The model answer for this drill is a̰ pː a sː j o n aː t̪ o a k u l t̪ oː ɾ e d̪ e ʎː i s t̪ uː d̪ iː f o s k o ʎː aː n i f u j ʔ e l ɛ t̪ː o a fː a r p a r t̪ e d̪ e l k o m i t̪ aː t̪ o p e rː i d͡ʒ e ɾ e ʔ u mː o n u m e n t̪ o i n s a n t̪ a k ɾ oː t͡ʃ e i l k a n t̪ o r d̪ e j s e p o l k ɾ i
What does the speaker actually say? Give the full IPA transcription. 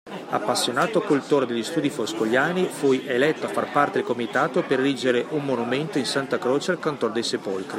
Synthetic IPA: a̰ pː a sː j o n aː t̪ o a k u l t̪ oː ɾ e d̪ e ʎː i s t̪ uː d̪ i f o s k o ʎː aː n i f u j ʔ e l ɛ t̪ː o a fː a r p a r t̪ e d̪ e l k o m i t̪ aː t̪ o p e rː i d͡ʒ e ɾ e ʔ u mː o n u m e n t̪ o i n s a n t̪ a k ɾ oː t͡ʃ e a l k a n t̪ o r d̪ e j s e p o l k ɾ i

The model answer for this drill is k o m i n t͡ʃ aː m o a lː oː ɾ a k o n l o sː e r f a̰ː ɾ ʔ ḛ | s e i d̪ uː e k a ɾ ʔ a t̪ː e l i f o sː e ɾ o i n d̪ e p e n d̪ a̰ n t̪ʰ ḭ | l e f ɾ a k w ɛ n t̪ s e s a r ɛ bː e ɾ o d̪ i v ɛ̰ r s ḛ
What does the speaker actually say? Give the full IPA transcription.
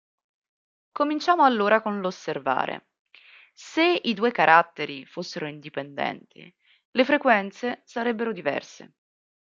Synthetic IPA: k o m i n t͡ʃ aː m o a lː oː ɾ a k o n l o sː e r v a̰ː ɾ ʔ ḛ | s e i d̪ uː e k a ɾ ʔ a t̪ː e ɾ i f o sː e ɾ o i n d̪ i p e n d̪ ɛ̰ n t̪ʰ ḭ | l e f ɾ e k w ɛ n t̪ s e s a ɾ ɛ bː e ɾ o d̪ i v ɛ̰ r s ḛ

